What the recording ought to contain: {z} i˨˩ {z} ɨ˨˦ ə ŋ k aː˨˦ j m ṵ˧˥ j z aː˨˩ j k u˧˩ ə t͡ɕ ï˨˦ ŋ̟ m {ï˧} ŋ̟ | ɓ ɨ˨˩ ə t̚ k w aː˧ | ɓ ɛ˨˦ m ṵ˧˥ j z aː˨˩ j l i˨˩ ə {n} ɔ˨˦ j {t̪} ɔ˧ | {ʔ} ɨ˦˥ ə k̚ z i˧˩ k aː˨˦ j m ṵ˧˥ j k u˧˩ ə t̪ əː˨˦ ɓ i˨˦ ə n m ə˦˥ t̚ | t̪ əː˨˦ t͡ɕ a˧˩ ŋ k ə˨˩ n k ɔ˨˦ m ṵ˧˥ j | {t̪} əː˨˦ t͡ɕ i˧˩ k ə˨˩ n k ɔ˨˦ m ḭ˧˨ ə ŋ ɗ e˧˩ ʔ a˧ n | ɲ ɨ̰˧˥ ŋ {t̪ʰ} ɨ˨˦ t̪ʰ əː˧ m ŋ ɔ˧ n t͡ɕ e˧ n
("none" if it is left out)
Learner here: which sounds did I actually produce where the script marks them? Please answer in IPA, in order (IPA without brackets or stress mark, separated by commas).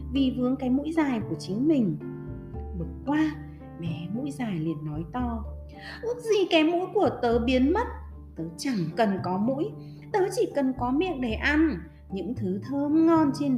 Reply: v, v, ï˨˩, nː, t̪, ʔ, t̪, t̪ʰ